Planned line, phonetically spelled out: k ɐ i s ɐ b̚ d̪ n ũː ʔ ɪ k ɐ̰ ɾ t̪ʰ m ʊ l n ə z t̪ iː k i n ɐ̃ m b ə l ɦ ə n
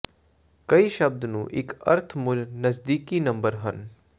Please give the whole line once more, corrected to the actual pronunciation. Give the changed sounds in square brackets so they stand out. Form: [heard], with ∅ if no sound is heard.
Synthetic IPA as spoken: k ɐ i [ʃ] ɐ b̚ d̪ n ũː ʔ ɪ k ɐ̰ ɾ t̪ʰ m ʊ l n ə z [d̪] iː k i n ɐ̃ m b ə [ɾ] ɦ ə n